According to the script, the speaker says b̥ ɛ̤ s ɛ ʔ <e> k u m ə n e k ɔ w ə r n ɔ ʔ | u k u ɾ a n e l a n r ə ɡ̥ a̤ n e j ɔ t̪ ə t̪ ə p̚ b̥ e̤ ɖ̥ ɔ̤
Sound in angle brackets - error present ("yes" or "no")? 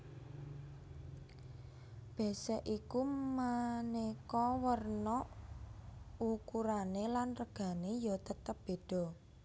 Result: yes